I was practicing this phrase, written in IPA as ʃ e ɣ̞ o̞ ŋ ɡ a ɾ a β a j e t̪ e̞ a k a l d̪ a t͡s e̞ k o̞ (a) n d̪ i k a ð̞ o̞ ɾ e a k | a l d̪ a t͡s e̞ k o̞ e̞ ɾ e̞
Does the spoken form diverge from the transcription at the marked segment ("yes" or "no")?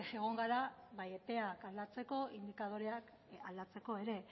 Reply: yes